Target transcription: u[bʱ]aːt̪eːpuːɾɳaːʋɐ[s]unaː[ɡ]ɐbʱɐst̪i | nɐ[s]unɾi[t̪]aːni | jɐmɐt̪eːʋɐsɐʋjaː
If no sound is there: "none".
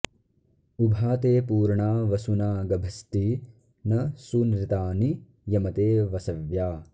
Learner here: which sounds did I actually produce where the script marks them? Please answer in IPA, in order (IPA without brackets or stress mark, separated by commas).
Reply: bʱ, s, ɡ, s, t̪